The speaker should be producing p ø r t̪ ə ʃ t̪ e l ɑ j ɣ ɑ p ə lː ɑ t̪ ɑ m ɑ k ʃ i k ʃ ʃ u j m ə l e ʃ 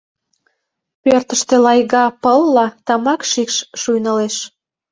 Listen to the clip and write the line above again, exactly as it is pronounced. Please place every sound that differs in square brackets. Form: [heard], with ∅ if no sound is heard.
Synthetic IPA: p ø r t̪ ə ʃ t̪ e l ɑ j ɣ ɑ p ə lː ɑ t̪ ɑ m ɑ k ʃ i k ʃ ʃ u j [n] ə l e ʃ

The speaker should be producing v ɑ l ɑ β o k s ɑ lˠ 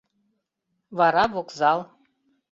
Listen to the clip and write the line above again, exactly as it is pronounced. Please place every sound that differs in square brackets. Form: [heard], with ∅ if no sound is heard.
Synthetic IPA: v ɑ [ɾ] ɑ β o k [z] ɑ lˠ

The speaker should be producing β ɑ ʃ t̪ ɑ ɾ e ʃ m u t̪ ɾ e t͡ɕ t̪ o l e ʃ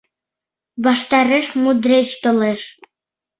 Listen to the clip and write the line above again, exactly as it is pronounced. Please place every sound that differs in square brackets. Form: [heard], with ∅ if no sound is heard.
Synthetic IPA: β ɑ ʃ t̪ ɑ ɾ e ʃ m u [d̪] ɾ e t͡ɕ t̪ o l e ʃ

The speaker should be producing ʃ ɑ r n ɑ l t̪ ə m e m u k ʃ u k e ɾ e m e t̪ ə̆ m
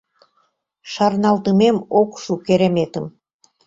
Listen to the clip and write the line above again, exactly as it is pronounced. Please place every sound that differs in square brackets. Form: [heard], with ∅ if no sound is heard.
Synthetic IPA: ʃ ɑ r n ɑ l t̪ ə m e m [o] k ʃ u k e ɾ e m e t̪ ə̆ m

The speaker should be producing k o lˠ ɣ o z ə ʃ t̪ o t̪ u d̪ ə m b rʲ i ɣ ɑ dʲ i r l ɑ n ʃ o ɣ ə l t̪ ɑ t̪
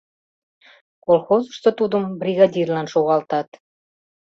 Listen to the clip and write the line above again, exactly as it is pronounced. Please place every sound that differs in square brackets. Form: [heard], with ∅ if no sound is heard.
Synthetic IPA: k o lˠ [x] o z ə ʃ t̪ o t̪ u d̪ ə m b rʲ i ɣ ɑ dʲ i r l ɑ n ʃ o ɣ [ɑ] l t̪ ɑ t̪

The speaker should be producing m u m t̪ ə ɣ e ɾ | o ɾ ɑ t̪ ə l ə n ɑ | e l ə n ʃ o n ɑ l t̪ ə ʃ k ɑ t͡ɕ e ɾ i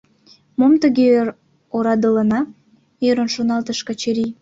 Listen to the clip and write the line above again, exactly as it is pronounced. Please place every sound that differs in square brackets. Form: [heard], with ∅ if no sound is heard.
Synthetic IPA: m [o] m t̪ ə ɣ e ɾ | o ɾ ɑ [d̪] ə l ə n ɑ | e [ɾ] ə n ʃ o n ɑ l t̪ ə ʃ k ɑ t͡ɕ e ɾ i

